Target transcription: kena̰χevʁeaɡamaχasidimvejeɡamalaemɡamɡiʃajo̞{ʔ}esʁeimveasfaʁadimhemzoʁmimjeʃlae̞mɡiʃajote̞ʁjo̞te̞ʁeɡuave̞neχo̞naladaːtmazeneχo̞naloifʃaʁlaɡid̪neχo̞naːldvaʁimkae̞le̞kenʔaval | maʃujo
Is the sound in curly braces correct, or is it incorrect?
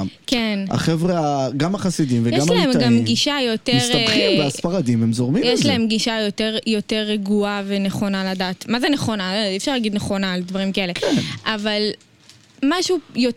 incorrect